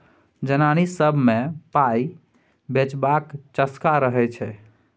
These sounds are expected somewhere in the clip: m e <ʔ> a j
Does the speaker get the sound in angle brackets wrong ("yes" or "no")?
yes